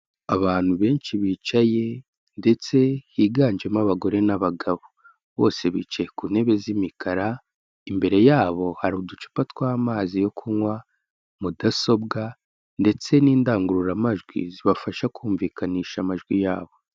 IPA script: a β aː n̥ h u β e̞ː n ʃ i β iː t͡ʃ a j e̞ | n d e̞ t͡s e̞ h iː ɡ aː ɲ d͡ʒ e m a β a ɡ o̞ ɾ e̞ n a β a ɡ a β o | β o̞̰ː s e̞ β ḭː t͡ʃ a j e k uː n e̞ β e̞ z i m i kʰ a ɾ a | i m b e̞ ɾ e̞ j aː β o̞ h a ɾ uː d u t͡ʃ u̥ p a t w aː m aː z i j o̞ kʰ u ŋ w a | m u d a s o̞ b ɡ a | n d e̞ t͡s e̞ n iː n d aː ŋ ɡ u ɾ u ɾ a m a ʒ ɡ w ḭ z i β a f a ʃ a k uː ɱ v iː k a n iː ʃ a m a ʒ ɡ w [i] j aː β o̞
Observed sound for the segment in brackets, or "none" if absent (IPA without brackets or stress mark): i